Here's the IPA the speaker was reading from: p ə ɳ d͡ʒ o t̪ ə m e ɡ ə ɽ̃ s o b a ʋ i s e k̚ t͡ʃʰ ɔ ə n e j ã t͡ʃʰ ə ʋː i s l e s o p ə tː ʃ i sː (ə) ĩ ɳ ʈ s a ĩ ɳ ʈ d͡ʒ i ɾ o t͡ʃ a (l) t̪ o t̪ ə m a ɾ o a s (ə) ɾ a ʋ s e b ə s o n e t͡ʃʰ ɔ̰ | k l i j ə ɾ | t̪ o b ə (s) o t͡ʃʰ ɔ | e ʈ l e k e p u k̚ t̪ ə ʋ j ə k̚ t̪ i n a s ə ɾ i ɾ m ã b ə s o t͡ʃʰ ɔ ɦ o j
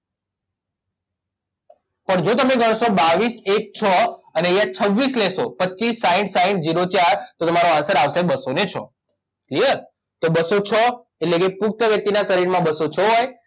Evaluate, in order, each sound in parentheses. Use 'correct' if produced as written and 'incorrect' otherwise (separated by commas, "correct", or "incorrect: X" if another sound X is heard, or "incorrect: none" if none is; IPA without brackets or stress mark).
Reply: incorrect: a, incorrect: ɾ, correct, correct